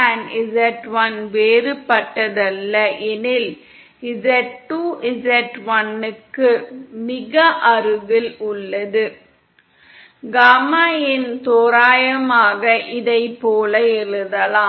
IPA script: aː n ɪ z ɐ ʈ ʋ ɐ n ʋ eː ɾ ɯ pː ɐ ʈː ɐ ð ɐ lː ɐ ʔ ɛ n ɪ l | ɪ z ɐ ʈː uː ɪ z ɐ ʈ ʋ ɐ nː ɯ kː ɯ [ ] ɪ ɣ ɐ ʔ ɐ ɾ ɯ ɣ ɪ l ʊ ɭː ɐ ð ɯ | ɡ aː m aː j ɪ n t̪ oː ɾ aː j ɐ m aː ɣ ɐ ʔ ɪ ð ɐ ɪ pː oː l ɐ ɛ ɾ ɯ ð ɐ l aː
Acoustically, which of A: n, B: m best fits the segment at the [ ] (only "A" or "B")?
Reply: B